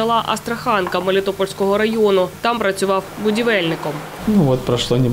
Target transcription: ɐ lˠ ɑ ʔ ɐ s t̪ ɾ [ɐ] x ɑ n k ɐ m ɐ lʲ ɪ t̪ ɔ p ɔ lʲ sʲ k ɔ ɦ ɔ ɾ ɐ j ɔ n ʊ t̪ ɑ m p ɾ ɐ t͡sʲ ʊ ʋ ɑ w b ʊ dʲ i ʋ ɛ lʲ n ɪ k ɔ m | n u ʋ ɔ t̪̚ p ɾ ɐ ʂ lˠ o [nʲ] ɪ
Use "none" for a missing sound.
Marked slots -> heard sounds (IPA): ɐ, nʲ

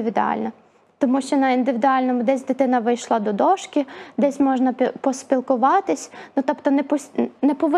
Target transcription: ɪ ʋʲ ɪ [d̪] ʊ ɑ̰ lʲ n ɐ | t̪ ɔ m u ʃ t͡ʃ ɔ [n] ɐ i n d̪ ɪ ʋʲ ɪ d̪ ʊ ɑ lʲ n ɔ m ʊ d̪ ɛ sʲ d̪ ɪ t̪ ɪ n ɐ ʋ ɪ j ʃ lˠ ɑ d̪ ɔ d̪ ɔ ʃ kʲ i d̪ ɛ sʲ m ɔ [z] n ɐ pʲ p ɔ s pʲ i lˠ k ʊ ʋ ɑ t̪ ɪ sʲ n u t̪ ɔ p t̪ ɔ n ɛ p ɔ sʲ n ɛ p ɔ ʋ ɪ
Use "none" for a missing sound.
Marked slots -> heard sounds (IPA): d̪, n, ʒ

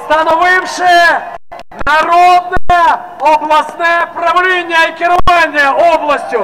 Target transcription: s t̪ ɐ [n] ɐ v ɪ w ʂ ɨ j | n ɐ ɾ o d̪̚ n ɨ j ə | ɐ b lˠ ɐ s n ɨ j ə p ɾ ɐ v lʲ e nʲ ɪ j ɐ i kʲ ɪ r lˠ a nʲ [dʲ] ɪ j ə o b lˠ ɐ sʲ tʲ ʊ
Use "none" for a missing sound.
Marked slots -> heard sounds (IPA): n, dʲ

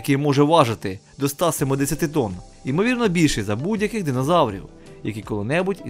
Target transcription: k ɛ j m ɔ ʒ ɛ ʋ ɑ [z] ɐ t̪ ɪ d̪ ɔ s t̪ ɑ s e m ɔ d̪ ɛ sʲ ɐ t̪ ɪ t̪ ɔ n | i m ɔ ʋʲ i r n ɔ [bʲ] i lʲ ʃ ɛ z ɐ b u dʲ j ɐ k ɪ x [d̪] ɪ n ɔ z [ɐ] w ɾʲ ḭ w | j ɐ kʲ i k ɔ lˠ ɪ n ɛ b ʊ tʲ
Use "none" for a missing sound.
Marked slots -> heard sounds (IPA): ʒ, bʲ, d̪, ɑ

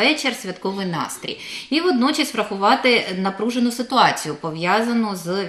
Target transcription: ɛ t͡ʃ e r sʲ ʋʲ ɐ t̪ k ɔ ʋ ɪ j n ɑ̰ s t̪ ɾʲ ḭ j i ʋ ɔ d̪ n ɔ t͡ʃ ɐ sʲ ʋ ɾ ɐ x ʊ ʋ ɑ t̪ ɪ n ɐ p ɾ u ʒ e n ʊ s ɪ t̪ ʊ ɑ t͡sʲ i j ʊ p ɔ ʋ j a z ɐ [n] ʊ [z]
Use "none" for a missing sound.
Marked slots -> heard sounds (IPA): n, z

